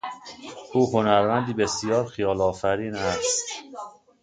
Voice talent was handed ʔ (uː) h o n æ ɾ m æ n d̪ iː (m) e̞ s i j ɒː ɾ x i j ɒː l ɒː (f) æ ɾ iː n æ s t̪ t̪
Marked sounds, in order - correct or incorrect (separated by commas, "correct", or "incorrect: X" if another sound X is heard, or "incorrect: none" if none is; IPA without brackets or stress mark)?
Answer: correct, incorrect: b, correct